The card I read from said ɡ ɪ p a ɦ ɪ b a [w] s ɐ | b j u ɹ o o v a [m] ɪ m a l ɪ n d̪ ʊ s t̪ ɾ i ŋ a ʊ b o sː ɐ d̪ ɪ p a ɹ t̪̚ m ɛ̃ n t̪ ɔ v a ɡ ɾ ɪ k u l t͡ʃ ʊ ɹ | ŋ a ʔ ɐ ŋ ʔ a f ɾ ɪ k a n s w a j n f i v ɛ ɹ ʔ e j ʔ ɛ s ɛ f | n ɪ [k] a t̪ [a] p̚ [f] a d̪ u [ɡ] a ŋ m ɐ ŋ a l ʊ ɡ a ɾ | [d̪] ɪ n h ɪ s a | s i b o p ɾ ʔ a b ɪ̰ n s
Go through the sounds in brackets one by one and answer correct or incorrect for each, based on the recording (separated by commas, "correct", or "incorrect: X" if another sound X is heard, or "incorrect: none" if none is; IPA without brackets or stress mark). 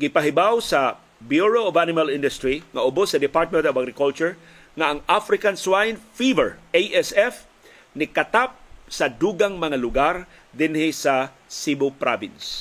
correct, incorrect: n, correct, correct, incorrect: s, correct, correct